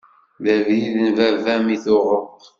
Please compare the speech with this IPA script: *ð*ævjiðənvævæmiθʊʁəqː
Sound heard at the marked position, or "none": ð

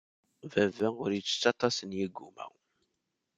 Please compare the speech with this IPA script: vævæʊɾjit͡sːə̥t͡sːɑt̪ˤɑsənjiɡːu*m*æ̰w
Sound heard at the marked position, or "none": m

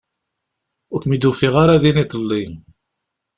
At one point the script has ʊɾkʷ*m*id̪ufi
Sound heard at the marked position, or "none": m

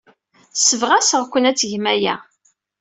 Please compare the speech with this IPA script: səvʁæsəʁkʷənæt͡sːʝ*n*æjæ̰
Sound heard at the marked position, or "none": m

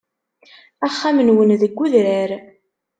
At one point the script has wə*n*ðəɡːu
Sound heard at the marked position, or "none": n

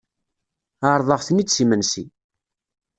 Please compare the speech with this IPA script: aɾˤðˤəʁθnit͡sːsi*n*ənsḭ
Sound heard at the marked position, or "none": m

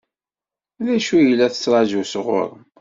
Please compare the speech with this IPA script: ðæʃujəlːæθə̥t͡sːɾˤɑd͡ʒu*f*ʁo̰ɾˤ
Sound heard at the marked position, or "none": s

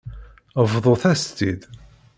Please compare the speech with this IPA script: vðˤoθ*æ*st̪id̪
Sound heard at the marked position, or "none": æ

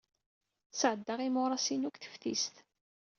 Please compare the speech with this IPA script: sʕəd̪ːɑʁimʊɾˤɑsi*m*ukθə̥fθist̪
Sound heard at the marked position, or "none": n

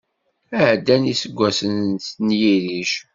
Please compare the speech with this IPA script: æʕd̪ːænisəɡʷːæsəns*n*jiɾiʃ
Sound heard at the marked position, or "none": n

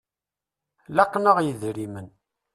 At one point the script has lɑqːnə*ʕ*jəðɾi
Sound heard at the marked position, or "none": ʁ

